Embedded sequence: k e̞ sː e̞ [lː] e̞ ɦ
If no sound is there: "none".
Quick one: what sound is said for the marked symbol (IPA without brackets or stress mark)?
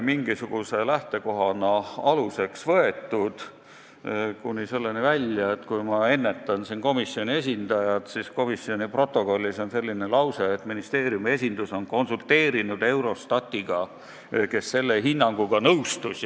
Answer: lː